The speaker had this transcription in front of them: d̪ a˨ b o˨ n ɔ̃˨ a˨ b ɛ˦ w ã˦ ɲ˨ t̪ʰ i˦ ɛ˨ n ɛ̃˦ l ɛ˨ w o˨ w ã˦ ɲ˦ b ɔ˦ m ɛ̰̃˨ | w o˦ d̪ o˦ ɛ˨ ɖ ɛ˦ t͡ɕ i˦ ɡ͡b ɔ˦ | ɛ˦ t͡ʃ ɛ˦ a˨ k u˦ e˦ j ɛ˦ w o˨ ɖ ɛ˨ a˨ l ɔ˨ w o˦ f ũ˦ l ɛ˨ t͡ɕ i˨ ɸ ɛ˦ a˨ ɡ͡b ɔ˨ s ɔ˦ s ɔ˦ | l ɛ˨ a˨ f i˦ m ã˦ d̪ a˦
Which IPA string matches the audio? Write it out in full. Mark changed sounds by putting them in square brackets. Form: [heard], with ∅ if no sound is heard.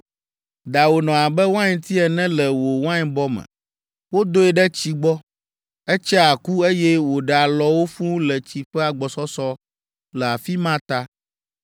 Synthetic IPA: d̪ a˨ [w] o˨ n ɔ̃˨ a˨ b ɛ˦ w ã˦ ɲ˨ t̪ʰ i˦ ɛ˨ n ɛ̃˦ l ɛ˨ w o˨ w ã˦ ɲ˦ b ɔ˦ m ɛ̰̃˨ | w o˦ d̪ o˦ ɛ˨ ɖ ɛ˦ t͡ɕ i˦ ɡ͡b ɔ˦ | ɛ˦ t͡ʃ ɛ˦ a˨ k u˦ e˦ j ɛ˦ w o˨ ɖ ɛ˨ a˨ l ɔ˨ w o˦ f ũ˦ l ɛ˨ t͡ɕ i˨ ɸ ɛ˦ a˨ ɡ͡b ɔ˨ s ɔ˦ s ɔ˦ | l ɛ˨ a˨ f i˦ m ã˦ [t̪] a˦